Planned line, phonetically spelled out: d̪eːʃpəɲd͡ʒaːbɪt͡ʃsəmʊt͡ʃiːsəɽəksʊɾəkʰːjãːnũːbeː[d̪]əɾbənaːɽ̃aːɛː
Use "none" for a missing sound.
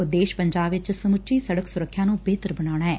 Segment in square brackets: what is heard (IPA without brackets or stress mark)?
t̪